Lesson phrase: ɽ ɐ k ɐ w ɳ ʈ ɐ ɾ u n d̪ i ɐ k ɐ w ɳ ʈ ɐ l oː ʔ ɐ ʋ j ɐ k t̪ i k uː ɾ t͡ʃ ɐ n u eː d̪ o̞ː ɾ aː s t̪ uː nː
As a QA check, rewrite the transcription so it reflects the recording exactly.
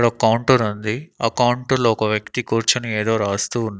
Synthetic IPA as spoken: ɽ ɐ k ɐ w ɳ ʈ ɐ ɾ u n d̪ i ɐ k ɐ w ɳ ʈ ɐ l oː k ɐ ʋ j ɐ k t̪ i k uː ɾ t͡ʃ ɐ n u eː d̪ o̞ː ɾ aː s t̪ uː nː